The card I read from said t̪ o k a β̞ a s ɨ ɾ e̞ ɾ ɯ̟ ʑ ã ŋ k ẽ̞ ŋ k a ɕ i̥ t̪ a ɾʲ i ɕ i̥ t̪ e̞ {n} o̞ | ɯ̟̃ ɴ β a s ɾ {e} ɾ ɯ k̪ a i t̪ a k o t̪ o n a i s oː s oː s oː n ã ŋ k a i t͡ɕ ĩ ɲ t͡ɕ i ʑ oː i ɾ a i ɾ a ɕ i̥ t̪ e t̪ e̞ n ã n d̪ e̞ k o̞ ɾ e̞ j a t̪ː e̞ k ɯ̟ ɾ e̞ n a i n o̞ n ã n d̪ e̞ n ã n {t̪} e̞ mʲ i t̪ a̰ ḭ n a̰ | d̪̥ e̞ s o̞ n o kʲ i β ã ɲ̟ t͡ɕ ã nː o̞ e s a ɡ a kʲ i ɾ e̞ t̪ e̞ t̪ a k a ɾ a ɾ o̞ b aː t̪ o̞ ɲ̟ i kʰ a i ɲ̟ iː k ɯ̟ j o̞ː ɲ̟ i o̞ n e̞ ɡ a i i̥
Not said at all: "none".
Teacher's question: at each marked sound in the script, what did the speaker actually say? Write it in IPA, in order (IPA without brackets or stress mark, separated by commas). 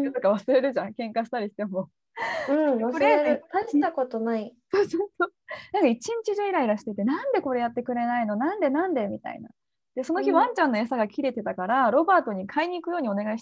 m, e, d̪